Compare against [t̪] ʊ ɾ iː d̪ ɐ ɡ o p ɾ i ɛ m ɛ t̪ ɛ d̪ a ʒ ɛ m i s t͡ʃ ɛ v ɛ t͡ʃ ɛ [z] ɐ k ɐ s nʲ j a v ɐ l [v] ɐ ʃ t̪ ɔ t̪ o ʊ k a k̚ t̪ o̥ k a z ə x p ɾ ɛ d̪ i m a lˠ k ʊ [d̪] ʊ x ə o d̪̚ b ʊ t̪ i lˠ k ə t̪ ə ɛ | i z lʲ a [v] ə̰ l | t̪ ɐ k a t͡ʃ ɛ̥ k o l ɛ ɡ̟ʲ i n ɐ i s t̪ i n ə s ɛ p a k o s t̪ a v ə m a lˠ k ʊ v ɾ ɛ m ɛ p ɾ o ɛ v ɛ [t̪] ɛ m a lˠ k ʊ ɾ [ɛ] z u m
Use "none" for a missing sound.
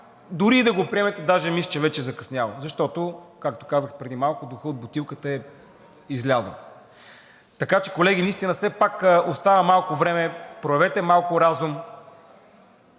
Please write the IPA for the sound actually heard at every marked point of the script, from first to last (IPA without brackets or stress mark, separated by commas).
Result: d̪, z, z, d̪, z, t̪, a